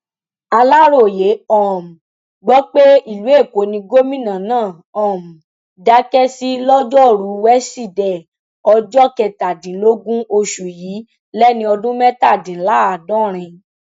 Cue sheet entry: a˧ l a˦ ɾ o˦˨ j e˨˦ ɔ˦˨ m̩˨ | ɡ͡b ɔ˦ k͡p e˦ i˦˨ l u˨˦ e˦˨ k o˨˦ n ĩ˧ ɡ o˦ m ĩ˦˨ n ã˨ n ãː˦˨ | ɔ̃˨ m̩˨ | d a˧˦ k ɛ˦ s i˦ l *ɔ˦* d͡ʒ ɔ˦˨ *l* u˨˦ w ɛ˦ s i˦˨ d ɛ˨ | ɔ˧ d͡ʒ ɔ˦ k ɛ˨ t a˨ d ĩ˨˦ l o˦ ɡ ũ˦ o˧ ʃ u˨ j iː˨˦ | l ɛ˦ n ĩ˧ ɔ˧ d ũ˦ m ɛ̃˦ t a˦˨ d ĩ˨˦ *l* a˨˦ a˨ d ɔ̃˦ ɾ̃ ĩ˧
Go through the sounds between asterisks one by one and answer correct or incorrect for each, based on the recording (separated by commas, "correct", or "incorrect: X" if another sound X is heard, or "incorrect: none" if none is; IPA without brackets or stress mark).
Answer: correct, incorrect: ɾ, correct